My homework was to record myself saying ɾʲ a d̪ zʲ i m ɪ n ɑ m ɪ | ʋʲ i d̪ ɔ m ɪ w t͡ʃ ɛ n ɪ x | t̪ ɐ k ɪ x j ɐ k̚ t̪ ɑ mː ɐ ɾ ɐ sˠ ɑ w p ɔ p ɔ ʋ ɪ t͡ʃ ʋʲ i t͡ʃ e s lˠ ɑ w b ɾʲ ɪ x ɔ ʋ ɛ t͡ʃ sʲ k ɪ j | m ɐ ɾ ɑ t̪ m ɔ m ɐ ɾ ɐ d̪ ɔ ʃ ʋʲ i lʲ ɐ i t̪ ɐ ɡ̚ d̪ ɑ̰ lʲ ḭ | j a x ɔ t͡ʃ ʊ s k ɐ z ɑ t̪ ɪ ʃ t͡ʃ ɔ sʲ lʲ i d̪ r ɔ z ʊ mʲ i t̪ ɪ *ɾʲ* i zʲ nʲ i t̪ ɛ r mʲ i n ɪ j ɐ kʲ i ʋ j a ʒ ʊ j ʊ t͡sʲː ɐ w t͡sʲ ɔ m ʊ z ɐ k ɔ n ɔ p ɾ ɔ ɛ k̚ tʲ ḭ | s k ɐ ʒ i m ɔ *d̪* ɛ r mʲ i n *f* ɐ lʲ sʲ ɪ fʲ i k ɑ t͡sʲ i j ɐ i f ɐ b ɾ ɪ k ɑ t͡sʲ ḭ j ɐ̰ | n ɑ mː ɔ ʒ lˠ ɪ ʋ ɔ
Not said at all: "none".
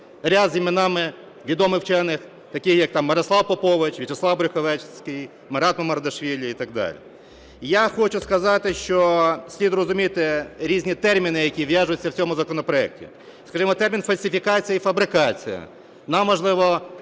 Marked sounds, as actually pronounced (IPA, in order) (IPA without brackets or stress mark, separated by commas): ɾʲ, t̪, f